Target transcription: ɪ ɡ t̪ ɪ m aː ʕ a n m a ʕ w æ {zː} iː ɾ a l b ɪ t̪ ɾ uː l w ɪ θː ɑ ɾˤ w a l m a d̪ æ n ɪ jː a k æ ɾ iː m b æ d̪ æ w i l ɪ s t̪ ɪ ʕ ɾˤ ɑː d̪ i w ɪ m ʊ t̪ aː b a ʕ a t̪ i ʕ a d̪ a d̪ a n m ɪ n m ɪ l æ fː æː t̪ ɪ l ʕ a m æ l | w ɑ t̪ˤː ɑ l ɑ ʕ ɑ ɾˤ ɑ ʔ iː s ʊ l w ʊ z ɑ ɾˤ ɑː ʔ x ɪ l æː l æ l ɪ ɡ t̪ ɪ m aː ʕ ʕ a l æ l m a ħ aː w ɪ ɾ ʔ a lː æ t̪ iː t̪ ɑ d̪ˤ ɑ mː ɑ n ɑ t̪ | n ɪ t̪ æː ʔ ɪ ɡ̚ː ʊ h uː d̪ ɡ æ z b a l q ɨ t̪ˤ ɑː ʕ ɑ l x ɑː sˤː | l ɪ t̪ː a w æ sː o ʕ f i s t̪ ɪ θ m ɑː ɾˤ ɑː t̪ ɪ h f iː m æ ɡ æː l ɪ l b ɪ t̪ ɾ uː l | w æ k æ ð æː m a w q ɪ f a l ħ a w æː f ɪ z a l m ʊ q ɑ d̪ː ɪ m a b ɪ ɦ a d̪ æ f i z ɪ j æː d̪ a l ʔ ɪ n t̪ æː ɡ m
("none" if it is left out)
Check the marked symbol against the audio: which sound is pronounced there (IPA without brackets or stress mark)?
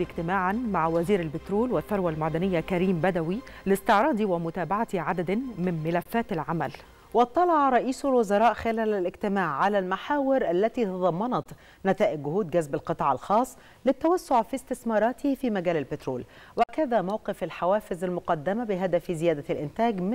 z